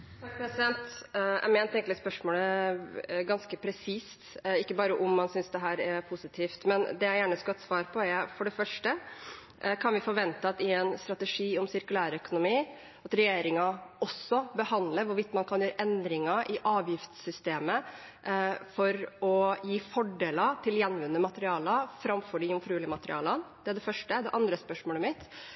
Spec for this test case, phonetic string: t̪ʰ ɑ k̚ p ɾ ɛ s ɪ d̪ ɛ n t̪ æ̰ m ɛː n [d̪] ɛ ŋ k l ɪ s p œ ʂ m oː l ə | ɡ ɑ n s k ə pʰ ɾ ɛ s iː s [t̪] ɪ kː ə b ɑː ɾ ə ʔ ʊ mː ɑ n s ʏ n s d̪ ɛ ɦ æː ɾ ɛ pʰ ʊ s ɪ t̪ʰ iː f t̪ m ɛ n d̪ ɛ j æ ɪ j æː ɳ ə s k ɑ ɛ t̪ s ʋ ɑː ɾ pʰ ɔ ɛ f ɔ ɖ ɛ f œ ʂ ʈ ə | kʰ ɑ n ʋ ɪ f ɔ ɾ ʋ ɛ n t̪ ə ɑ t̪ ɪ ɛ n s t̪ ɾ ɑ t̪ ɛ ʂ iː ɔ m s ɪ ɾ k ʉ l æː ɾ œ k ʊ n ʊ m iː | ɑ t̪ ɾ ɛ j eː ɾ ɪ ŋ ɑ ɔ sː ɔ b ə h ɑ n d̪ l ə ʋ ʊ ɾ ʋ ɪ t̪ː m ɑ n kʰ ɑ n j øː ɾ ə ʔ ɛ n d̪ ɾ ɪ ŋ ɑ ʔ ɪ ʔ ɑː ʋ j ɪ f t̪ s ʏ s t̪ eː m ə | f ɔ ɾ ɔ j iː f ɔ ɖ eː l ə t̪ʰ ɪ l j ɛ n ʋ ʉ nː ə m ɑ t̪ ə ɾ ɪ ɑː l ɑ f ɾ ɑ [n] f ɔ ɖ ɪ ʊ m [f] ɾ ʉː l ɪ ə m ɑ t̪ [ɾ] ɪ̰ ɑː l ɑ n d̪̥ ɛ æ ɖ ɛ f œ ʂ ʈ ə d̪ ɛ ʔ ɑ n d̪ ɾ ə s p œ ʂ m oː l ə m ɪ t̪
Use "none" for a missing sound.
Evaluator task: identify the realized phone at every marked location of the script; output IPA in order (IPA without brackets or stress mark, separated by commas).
t̪, t̪, m, f, ɾ